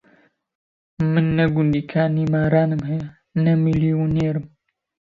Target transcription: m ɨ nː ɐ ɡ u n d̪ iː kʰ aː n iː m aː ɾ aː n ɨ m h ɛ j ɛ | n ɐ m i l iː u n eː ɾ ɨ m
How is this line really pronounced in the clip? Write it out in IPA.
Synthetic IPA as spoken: m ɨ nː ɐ ɡ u n d̪ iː kʰ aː n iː m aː ɾ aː n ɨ m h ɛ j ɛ | n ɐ m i l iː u n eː ɾ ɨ m